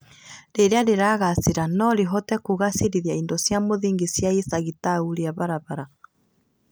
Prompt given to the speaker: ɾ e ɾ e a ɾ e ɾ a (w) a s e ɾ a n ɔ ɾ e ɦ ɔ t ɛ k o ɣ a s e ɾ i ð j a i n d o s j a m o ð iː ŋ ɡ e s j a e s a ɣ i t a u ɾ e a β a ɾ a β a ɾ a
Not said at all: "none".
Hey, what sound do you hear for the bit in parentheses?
ɣ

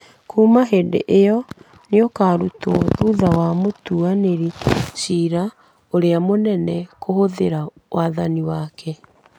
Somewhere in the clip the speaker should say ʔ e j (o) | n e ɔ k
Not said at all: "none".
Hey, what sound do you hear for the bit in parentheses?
ɔ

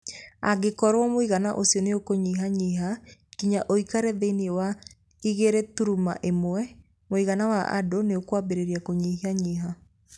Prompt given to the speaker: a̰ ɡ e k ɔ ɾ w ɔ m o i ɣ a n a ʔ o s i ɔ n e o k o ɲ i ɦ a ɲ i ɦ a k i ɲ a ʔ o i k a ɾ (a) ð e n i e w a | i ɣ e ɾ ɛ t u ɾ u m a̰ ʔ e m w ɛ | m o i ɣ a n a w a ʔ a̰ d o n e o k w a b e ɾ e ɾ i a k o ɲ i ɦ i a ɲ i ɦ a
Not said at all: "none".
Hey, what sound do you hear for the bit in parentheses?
ɛ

